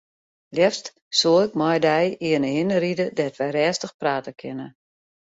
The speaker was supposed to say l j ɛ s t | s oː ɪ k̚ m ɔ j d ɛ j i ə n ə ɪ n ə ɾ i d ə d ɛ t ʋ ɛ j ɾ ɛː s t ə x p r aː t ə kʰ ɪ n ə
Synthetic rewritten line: l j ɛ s t | s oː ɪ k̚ m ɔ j d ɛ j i ə n ə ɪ n ə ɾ i d ə d ɛ t ʋ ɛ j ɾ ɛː s t ə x p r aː t ə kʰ ɪ n ə